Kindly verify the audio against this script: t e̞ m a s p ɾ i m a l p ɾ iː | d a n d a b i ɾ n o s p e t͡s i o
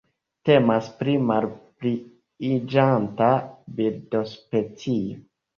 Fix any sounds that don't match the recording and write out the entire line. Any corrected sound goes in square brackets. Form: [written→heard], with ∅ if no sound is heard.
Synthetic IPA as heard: t e̞ m a s p ɾ i m a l p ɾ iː | [d→d͡ʒ] a n [d→t] a b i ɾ [n→d] o s p e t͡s i o